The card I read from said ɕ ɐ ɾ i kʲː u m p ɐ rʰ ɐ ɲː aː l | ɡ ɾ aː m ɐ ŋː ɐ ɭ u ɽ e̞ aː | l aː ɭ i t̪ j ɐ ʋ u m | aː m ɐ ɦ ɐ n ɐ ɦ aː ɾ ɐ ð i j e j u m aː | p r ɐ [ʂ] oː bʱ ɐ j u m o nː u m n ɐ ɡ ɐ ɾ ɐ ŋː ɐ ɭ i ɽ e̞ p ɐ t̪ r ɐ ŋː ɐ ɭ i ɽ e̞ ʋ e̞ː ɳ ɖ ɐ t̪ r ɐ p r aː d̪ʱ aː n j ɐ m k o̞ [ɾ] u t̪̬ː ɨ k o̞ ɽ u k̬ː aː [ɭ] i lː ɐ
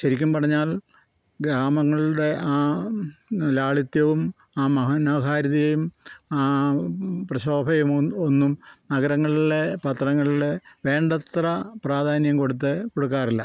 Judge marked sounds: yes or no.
no, no, no

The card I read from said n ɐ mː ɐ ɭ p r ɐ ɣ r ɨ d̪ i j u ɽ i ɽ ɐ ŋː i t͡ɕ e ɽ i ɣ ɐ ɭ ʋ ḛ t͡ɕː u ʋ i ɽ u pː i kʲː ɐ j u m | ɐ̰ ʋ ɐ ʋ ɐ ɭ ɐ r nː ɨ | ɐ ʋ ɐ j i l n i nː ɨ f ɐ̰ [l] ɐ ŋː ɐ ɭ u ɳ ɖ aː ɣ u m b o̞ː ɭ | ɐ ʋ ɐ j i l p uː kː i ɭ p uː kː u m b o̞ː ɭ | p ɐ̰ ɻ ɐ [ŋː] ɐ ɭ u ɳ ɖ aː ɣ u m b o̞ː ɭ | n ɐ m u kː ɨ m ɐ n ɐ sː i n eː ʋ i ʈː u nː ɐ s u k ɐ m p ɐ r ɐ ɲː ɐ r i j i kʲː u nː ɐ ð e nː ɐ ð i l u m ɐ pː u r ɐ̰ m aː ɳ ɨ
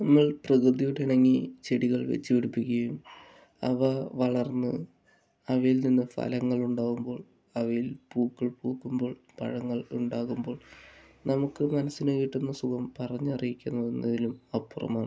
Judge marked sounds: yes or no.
yes, yes

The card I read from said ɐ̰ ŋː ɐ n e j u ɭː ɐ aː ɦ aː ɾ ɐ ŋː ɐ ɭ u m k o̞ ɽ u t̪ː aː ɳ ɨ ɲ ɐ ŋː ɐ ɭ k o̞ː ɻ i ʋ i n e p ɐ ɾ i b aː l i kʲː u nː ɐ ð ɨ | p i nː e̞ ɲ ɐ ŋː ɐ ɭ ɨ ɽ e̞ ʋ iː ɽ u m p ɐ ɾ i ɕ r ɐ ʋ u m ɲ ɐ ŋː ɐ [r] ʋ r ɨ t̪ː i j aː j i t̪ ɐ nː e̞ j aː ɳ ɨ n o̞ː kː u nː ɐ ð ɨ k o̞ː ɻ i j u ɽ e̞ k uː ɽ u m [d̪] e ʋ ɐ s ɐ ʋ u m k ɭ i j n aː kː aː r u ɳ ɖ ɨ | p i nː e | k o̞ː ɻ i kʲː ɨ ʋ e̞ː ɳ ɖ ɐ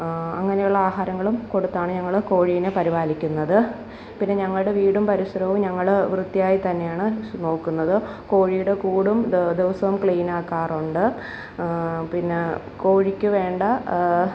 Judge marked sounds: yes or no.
no, yes

